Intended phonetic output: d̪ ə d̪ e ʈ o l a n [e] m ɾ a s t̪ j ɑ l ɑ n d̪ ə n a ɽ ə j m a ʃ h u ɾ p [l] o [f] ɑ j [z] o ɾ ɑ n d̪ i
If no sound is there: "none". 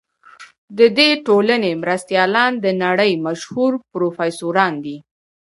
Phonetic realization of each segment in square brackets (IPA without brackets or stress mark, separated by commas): e, ɾ, f, s